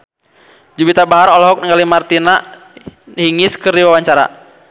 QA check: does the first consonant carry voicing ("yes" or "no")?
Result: yes